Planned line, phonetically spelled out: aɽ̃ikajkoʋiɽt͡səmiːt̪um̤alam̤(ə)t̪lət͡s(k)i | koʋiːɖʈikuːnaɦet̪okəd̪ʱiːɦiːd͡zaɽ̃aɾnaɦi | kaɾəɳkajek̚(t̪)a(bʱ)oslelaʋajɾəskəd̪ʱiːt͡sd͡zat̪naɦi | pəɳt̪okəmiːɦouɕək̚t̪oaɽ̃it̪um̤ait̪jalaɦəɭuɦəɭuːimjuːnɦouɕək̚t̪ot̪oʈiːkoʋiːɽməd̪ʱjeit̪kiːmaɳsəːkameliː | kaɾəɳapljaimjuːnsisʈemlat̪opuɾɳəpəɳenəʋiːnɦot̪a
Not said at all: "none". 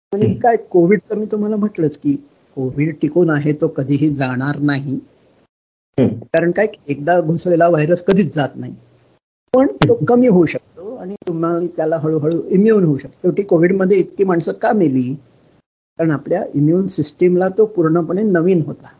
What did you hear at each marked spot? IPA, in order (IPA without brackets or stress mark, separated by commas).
ə, k, d̪, ɡʱ